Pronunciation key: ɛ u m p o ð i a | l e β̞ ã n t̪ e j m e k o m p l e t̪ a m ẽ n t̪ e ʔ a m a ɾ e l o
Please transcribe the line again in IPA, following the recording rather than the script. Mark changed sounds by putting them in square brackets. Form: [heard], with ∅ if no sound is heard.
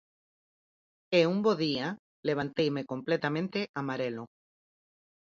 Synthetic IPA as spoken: [e] u m [b] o ð i a | l e β̞ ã n t̪ e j m e k o m p l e t̪ a m ẽ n t̪ e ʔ a m a ɾ e l o